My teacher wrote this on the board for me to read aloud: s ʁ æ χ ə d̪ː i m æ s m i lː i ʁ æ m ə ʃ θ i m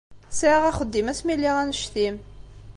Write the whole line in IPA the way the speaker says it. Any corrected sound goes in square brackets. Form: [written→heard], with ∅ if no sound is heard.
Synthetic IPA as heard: s ʁ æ χ ə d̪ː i m æ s m i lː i ʁ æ [m→n] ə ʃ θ i m